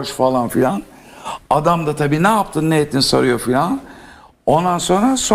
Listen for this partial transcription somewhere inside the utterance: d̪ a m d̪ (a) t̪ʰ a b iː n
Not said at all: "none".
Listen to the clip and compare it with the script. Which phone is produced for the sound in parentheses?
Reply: a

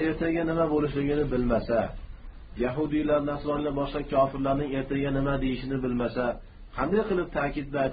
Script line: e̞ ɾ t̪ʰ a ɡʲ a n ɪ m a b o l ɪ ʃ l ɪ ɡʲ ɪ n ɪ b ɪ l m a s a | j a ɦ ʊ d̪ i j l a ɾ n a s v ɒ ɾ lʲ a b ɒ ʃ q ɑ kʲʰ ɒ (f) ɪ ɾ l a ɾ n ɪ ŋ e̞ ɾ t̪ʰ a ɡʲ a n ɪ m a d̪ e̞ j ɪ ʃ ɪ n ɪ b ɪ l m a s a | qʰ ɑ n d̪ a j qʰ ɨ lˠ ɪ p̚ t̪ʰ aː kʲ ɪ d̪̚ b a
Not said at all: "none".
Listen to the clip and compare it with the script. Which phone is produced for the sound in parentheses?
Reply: f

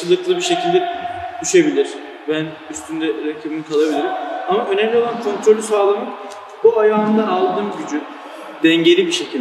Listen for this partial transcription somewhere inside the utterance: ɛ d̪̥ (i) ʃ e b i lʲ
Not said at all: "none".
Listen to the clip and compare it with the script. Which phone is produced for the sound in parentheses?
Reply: y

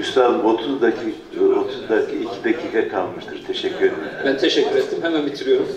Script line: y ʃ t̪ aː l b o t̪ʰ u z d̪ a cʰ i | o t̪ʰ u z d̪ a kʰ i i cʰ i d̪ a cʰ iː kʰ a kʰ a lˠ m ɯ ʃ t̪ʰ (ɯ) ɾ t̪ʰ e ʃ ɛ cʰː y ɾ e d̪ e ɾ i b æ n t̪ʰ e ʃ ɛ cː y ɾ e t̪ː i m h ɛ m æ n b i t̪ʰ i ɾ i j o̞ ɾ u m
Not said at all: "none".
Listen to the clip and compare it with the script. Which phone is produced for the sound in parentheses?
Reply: ɯ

